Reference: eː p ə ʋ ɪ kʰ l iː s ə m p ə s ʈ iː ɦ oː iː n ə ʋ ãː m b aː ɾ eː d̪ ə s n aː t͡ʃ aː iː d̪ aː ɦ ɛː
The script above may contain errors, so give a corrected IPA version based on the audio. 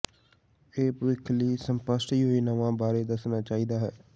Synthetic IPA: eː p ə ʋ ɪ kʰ l iː s ə m p ə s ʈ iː ɦ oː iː n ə ʋ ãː b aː ɾ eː d̪ ə s n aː t͡ʃ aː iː d̪ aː ɦ ɛː